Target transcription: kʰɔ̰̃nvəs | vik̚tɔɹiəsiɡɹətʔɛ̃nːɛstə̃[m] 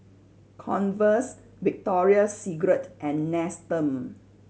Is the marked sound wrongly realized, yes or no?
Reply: no